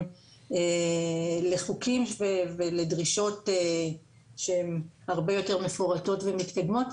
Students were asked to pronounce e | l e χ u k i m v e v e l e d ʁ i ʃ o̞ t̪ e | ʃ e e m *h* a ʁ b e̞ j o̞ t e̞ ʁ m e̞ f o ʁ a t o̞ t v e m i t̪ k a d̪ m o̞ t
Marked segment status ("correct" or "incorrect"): correct